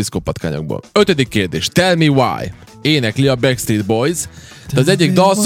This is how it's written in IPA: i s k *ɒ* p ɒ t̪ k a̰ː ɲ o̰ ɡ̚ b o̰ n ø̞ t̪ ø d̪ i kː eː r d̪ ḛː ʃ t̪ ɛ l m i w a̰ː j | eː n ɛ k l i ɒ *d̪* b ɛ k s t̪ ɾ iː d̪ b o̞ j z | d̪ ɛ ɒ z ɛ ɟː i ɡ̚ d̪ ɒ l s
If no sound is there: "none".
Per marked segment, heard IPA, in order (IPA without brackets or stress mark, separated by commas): o, none